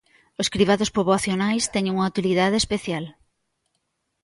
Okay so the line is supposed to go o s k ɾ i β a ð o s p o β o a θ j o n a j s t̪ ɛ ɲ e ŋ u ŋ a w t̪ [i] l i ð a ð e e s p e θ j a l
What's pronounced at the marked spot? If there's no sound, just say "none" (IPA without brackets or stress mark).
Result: i